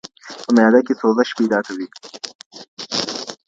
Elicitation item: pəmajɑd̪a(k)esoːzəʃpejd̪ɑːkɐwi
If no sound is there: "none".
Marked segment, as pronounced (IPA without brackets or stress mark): k